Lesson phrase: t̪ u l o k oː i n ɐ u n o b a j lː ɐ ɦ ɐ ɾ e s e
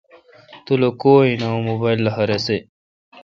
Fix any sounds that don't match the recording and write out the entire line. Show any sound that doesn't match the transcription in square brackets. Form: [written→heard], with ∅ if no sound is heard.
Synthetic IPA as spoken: t̪ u l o k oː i n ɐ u [n→m] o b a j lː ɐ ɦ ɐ ɾ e s e